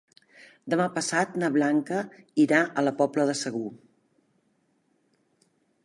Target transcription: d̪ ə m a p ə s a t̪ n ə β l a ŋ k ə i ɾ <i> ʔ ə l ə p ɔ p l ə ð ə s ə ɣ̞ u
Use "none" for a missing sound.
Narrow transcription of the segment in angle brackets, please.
a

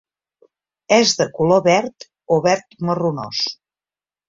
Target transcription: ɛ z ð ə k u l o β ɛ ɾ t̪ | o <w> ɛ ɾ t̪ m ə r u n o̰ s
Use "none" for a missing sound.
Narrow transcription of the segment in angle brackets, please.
β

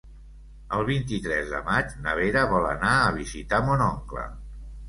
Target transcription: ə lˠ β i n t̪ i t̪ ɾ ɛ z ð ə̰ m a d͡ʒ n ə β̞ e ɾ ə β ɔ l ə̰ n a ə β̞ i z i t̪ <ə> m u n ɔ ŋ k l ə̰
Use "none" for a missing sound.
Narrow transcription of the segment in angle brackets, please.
a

